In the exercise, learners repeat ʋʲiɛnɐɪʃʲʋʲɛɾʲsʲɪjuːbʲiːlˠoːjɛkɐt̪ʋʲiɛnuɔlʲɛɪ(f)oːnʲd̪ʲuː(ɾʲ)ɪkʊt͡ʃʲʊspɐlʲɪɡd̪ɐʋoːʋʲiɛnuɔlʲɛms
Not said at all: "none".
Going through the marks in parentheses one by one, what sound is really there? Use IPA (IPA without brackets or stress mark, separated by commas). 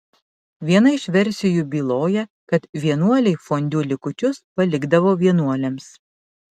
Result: f, lʲ